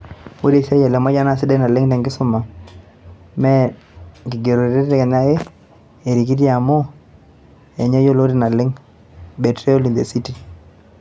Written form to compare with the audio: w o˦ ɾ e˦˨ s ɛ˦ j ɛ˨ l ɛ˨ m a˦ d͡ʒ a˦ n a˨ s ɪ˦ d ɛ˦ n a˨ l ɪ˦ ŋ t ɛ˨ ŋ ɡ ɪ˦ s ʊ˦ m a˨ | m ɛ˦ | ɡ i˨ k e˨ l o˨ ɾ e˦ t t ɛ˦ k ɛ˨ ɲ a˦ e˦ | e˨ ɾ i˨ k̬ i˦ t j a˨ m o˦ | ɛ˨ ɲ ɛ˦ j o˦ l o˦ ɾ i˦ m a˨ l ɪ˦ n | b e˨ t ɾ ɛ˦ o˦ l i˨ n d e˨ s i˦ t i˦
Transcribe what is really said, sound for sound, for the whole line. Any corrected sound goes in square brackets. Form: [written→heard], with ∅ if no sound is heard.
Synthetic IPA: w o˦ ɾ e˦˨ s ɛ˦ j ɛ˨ l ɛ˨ m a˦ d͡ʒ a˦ n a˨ s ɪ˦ d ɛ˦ n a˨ l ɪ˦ ŋ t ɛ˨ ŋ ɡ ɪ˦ s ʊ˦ m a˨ | m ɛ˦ | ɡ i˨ [k→ɡ] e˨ [l→ɾ] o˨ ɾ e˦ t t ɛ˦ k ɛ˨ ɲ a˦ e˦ | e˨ ɾ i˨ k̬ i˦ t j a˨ m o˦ | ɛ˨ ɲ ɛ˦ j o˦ l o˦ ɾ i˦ [m→n] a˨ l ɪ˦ [n→ŋ] | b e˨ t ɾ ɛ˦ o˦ l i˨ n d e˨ s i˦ t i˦